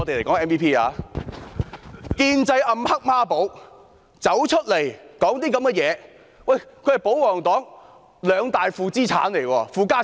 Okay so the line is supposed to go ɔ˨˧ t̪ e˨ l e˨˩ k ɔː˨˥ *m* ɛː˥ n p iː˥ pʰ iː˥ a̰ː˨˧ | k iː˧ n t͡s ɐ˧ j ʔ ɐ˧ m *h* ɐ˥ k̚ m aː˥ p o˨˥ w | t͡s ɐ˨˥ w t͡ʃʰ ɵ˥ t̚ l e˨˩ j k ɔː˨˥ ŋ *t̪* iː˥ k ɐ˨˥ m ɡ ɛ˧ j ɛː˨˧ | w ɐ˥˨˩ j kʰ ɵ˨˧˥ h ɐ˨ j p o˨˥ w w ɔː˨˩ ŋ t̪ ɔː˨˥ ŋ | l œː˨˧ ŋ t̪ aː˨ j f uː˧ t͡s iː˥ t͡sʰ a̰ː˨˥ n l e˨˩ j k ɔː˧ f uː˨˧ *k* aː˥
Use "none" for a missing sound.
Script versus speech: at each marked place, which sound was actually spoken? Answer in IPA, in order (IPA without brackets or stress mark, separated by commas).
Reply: ŋ, h, t̪, k